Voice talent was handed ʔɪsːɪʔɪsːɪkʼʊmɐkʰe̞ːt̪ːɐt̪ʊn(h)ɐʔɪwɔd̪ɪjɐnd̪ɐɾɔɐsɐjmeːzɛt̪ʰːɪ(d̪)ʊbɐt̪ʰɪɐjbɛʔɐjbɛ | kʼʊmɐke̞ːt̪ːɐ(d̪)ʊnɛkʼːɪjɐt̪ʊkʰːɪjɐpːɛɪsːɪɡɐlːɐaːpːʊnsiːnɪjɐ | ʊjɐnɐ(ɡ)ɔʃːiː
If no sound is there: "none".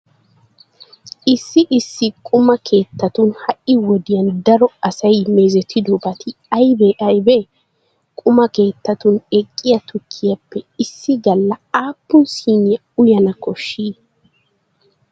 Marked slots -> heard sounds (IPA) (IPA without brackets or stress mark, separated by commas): h, d̪, t̪, k